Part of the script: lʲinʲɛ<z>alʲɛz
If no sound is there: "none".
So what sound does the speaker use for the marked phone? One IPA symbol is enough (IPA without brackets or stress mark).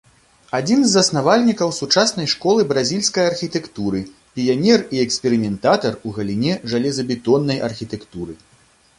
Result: ʐ